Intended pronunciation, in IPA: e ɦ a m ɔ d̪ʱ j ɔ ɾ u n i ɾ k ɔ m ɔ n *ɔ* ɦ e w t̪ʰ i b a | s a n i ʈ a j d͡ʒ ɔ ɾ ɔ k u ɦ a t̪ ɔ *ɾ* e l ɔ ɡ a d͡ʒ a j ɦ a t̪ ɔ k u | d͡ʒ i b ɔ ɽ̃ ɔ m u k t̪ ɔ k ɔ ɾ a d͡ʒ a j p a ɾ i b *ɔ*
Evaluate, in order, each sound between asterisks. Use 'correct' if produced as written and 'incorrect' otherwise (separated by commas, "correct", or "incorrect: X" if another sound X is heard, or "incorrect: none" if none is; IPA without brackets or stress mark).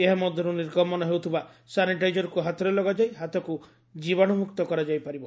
correct, correct, correct